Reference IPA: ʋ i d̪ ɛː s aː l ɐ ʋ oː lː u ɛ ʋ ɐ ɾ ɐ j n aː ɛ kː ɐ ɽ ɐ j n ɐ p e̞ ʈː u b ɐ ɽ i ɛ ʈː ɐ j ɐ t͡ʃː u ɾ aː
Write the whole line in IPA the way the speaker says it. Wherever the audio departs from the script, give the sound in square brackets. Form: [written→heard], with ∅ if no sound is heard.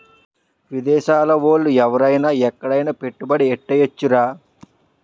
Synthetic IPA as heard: ʋ i d̪ ɛː [s→ʃ] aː l ɐ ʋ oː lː u ɛ ʋ ɐ ɾ ɐ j n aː ɛ kː ɐ ɽ ɐ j n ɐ p e̞ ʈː u b ɐ ɽ i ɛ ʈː ɐ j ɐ t͡ʃː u ɾ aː